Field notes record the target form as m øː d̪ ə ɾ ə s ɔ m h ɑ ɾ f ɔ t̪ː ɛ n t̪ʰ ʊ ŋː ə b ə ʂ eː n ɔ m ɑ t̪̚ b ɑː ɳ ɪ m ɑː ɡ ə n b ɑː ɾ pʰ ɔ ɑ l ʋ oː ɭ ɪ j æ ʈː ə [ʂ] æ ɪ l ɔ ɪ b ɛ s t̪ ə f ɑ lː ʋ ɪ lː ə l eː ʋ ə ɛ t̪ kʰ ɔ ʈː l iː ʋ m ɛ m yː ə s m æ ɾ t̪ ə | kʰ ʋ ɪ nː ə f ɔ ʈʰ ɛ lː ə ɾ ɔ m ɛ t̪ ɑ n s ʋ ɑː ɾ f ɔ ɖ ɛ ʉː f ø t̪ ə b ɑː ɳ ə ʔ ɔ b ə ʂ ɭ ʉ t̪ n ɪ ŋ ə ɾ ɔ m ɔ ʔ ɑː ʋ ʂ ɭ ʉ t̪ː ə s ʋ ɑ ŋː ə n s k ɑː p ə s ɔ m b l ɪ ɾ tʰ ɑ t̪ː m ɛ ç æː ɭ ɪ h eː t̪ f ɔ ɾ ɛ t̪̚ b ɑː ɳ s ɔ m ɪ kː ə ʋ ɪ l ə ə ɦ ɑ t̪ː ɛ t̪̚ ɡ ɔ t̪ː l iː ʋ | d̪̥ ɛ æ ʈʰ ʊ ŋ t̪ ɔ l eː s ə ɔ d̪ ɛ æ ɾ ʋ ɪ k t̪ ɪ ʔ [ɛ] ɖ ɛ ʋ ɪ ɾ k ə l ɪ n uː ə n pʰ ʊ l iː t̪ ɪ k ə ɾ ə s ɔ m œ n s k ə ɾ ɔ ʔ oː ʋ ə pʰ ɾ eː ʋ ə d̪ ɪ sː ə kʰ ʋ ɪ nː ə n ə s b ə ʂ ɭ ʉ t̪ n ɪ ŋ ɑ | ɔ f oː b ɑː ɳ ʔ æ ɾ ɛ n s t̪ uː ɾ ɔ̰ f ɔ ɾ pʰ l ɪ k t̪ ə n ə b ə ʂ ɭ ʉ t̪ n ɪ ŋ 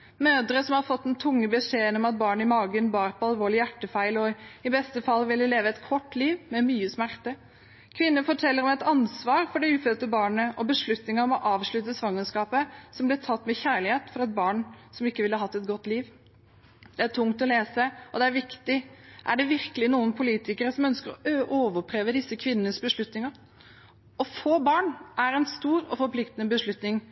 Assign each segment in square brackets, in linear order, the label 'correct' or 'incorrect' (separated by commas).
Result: incorrect, incorrect